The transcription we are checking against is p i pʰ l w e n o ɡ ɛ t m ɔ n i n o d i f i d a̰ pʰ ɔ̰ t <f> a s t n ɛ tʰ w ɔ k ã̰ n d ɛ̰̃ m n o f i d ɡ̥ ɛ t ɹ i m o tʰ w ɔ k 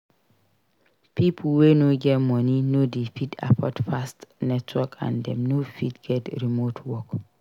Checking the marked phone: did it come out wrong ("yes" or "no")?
no